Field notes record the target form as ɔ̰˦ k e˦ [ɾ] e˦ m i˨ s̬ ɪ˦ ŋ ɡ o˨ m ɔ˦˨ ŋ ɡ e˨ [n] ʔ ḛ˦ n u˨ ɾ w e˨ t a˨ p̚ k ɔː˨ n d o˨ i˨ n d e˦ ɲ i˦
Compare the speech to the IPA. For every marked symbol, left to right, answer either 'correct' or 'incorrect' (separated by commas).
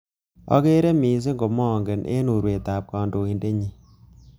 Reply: correct, correct